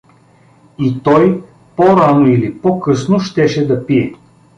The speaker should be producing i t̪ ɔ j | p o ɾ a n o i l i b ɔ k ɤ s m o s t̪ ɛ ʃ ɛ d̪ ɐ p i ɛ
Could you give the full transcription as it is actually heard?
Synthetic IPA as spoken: i t̪ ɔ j | p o ɾ a n o i l i p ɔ k ɤ s n o ʃ t̪ ɛ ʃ ɛ d̪ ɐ p i ɛ